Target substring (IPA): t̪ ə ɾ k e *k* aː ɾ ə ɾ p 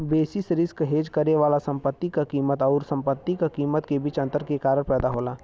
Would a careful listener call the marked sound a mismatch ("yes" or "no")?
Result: no